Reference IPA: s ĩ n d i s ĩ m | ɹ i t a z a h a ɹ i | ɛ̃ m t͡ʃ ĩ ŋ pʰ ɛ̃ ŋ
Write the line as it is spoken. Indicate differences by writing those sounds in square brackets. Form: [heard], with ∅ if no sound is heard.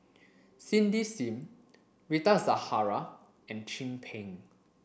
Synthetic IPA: s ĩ n d i s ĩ m | ɹ i t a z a h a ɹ [a] | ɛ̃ [n] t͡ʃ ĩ [m] pʰ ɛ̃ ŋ